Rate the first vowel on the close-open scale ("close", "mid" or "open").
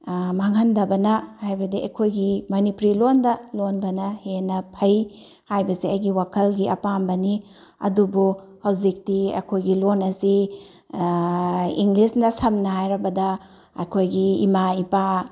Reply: open